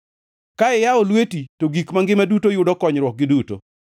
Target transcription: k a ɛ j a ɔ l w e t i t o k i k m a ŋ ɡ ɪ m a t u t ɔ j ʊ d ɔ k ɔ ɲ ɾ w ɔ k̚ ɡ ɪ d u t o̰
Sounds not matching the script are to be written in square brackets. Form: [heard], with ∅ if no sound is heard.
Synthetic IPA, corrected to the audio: k a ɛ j a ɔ l w e t i t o [ɡ] i k m a ŋ ɡ ɪ m a [d] u t [o] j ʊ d ɔ k ɔ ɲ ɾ w ɔ k̚ ɡ ɪ d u t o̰